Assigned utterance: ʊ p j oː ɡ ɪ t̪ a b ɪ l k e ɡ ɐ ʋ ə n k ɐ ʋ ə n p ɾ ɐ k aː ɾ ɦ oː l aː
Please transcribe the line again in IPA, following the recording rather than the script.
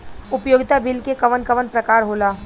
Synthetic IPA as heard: ʊ p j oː ɡ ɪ t̪ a b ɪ l k e k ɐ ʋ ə n k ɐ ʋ ə n p ɾ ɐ k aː ɾ ɦ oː l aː